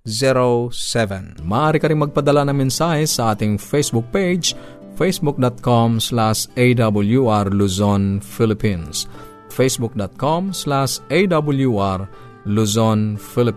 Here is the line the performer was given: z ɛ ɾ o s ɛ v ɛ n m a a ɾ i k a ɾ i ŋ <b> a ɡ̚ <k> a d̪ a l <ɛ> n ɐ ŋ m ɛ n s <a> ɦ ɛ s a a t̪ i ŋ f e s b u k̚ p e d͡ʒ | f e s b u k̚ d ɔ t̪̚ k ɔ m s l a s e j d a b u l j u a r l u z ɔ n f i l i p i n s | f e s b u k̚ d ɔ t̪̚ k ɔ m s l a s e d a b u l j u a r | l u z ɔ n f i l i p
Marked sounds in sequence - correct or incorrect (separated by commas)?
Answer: incorrect, incorrect, incorrect, correct